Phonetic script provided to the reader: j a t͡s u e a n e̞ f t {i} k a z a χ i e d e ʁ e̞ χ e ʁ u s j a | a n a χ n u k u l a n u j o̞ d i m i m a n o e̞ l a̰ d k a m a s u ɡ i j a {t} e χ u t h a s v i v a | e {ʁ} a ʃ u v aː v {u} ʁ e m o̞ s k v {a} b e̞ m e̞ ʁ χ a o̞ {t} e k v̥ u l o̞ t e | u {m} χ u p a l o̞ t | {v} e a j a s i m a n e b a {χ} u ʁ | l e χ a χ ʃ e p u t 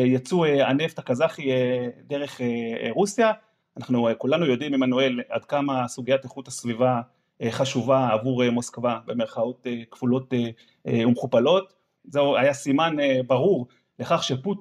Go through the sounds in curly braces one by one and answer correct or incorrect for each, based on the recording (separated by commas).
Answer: incorrect, correct, incorrect, correct, correct, correct, correct, incorrect, incorrect